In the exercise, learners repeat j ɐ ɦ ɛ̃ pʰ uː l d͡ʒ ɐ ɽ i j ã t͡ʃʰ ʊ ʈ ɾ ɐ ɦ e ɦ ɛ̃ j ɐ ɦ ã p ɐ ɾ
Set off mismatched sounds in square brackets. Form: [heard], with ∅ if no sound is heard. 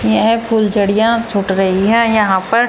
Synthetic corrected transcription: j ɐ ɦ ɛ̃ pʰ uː l d͡ʒ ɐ ɽ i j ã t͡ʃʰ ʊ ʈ ɾ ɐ ɦ [i] ɦ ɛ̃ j ɐ ɦ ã p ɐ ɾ